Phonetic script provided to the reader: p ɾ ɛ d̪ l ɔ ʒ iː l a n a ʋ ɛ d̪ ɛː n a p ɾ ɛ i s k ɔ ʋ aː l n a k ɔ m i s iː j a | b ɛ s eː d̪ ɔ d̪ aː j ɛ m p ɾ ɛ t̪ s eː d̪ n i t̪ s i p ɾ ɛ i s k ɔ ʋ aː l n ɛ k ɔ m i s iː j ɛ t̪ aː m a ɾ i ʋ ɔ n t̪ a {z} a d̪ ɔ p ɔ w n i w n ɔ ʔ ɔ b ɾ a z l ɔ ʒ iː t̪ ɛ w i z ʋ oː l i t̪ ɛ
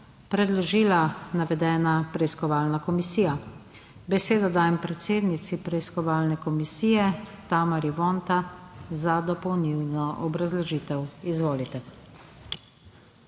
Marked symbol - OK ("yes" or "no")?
yes